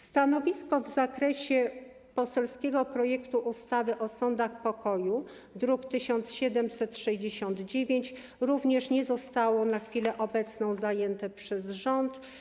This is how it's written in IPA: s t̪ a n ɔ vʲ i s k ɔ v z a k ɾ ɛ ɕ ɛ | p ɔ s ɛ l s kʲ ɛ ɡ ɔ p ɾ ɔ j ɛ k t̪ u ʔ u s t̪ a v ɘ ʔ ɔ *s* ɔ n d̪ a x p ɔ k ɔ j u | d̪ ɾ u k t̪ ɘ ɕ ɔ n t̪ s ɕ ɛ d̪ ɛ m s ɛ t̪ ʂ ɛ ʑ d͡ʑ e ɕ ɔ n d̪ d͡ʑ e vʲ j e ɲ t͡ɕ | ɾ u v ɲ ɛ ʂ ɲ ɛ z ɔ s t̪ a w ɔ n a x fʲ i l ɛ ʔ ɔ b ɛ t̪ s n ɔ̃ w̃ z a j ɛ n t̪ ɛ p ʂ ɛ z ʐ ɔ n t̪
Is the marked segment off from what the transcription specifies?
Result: no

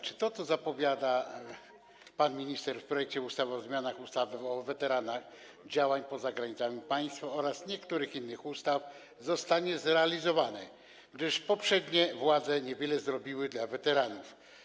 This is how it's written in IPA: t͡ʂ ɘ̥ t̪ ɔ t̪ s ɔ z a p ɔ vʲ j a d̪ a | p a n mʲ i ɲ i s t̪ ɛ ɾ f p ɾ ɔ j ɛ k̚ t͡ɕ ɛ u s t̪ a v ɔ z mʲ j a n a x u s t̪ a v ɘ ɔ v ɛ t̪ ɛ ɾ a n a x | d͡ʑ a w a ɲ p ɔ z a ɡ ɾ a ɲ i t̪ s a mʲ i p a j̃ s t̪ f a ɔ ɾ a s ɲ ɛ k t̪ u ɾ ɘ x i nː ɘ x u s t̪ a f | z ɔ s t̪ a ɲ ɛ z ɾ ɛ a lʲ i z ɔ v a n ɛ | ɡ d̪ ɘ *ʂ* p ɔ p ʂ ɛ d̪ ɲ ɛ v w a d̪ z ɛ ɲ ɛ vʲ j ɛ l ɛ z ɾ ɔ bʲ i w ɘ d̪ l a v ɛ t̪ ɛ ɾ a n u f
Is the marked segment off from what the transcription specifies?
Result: no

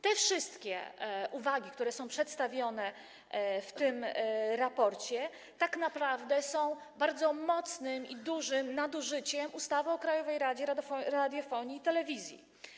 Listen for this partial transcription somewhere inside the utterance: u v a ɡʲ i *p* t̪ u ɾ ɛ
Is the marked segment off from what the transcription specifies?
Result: yes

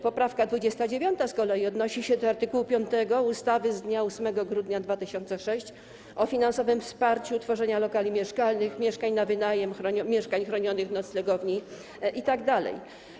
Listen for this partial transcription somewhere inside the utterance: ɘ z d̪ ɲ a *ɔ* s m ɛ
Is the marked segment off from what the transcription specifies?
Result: yes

